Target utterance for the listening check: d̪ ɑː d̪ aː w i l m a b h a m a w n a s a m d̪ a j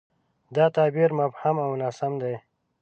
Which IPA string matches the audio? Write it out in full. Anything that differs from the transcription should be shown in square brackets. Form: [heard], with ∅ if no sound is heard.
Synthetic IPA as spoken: d̪ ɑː [t̪] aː [b] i [ɾ] m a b h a m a w n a s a m d̪ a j